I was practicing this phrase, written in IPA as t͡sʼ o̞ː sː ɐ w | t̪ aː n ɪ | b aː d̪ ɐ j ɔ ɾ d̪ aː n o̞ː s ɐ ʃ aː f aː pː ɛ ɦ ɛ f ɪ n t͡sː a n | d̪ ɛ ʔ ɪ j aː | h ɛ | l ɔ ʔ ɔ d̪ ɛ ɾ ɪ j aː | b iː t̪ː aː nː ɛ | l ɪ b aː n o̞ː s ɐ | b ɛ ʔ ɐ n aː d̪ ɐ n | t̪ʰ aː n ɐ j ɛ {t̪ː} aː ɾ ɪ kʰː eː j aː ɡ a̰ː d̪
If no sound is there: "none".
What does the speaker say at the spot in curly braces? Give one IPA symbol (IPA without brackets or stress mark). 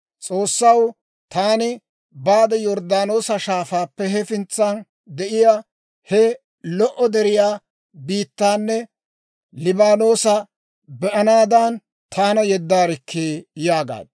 d̪ː